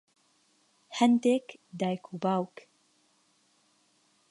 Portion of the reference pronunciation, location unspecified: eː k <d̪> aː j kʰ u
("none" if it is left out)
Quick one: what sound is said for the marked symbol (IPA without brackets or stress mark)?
d̪